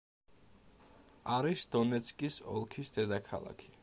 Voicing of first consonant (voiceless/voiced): voiced